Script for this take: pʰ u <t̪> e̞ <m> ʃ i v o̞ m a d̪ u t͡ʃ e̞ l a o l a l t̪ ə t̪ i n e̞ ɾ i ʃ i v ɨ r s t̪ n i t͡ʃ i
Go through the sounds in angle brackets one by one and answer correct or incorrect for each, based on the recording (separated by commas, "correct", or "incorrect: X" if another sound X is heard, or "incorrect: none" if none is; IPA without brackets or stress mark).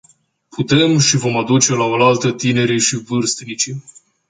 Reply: correct, correct